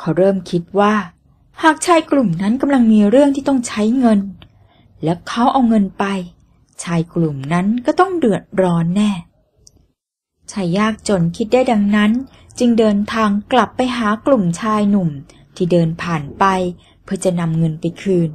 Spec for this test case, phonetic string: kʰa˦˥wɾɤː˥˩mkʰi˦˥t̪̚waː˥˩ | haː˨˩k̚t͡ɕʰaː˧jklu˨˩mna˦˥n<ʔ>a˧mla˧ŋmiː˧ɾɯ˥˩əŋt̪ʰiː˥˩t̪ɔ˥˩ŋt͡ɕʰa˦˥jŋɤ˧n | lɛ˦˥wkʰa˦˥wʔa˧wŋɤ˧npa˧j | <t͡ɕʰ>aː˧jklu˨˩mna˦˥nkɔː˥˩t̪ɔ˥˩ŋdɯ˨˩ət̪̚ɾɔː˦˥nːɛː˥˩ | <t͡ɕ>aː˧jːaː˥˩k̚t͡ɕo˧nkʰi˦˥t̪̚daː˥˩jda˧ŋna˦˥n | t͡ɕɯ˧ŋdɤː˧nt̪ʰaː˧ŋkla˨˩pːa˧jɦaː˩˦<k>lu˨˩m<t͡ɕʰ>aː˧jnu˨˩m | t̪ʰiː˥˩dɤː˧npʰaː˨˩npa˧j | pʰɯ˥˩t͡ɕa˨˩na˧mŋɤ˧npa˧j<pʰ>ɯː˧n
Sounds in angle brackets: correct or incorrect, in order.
incorrect: k, correct, incorrect: t͡ɕʰ, correct, correct, incorrect: kʰ

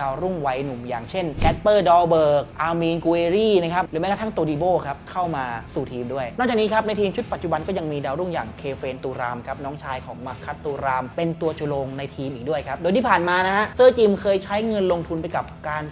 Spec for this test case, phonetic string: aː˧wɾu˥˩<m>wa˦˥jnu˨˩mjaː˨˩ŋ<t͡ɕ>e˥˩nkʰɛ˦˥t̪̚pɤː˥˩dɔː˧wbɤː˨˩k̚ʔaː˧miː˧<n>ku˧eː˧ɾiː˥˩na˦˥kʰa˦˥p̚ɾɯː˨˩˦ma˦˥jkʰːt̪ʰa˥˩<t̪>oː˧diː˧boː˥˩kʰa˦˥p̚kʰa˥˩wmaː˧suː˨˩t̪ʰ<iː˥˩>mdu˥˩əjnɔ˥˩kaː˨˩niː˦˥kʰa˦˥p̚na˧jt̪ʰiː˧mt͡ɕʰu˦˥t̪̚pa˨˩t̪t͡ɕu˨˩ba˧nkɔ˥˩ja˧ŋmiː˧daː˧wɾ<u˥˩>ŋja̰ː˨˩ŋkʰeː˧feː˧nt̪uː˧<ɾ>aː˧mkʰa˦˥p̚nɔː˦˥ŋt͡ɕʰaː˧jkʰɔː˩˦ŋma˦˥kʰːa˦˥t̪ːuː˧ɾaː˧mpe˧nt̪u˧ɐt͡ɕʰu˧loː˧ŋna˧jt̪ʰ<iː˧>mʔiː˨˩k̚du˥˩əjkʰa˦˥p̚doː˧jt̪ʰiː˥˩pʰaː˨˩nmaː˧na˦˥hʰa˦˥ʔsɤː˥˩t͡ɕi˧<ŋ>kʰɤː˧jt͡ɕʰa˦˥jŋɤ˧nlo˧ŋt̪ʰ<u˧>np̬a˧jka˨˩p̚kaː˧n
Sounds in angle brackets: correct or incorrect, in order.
incorrect: ŋ, incorrect: t͡ɕʰ, correct, correct, incorrect: iː˧, correct, correct, correct, incorrect: m, correct

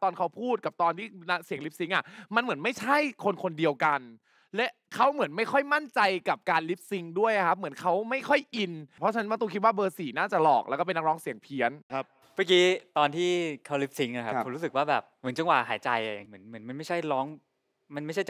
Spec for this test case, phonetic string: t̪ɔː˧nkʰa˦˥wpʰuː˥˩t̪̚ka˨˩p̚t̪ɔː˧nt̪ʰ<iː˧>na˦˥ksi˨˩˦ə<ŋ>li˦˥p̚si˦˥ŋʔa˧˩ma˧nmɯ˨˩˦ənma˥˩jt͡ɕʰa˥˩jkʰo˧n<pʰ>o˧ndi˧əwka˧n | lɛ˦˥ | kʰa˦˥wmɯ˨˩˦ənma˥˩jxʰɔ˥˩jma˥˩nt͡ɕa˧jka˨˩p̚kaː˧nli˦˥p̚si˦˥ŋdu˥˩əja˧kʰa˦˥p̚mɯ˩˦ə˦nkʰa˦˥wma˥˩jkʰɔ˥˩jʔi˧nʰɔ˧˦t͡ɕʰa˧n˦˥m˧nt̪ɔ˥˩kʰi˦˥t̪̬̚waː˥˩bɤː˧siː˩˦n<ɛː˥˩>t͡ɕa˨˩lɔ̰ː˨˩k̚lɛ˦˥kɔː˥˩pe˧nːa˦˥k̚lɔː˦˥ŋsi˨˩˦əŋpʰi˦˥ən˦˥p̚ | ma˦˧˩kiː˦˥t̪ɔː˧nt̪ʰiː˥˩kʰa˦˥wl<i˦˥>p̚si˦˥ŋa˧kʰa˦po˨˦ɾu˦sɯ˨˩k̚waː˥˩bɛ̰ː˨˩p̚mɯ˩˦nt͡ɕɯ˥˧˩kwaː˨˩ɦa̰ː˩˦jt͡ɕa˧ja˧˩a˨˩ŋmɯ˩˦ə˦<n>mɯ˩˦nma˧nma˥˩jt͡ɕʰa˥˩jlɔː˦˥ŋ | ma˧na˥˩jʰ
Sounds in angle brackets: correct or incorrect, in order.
incorrect: iː˥˩, correct, incorrect: kʰ, incorrect: aː˥˩, correct, correct

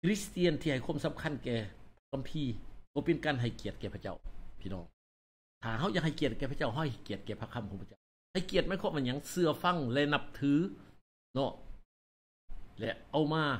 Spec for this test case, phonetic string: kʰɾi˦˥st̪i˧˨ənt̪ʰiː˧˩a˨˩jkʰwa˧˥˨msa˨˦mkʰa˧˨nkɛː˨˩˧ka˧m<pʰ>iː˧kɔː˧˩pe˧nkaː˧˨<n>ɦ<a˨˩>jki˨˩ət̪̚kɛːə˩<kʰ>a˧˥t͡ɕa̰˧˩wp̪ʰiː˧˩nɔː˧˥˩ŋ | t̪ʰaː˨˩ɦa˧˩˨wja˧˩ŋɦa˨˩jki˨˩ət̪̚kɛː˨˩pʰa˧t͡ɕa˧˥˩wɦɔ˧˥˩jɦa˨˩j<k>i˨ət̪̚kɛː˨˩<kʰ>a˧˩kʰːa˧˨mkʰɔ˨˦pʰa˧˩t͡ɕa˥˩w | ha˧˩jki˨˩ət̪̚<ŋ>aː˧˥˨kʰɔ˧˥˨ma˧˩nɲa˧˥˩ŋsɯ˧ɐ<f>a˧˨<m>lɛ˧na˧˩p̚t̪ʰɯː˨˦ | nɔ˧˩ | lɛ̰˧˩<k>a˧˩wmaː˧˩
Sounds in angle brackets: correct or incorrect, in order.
correct, correct, correct, incorrect: pʰ, correct, incorrect: pʰ, incorrect: m, correct, incorrect: ŋ, incorrect: ʔ

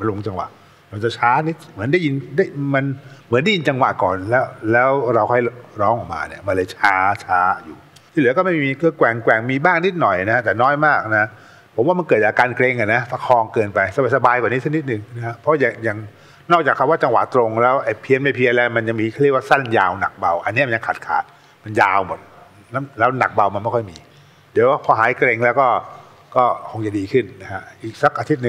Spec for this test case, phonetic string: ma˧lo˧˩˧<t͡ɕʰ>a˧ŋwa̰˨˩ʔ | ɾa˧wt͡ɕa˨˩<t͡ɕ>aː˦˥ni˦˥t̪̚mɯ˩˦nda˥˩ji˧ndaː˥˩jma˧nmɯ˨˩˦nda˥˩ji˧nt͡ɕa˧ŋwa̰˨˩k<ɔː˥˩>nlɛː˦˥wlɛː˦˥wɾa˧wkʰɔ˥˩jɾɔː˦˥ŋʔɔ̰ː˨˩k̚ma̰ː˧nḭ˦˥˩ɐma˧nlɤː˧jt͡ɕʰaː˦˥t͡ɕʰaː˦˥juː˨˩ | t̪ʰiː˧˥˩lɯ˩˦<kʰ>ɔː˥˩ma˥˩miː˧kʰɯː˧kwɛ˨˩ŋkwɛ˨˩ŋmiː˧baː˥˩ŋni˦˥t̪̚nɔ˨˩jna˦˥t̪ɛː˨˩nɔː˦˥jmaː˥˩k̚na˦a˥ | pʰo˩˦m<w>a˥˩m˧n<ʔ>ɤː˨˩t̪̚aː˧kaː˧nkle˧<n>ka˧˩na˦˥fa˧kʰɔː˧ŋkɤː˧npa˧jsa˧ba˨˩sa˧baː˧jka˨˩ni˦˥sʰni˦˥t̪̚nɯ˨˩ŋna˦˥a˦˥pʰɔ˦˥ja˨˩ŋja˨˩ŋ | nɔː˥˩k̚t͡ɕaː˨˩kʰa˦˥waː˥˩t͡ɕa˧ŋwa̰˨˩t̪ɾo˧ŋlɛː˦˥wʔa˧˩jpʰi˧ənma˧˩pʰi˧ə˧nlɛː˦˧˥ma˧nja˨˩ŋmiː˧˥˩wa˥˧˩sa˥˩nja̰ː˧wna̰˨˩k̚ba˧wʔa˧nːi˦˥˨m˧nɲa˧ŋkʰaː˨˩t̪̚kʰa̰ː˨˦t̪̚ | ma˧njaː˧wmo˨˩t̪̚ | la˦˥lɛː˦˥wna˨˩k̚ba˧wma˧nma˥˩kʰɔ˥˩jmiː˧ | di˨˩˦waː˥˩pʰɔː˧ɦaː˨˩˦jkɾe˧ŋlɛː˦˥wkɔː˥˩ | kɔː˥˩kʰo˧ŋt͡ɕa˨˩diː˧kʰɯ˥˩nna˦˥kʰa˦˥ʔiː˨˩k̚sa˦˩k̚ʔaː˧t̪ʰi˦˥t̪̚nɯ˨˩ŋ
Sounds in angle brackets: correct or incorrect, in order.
incorrect: t͡ɕ, incorrect: t͡ɕʰ, incorrect: ɔː˨˩, incorrect: k, correct, incorrect: k, incorrect: ŋ

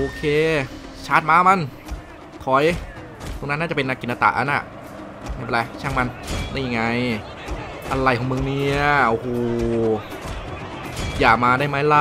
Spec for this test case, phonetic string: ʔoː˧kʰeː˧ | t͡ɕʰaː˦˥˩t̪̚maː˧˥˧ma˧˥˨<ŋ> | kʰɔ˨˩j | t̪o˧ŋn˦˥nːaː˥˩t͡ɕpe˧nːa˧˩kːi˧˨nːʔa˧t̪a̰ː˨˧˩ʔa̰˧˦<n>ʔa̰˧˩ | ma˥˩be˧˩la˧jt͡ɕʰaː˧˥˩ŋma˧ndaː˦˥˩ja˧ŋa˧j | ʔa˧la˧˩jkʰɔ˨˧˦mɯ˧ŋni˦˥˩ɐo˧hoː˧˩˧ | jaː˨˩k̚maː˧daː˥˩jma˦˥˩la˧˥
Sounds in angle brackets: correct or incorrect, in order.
incorrect: n, correct

